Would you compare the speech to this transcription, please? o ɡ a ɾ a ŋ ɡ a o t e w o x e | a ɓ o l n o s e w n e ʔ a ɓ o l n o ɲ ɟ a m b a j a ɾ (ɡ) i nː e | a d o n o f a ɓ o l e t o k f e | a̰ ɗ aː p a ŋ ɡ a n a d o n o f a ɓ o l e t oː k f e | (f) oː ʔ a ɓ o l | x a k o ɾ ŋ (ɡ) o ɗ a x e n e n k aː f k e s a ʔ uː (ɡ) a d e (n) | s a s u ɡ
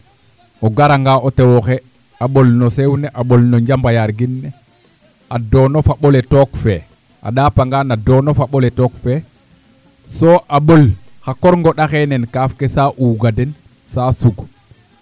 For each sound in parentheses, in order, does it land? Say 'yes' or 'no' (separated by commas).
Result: yes, no, yes, yes, yes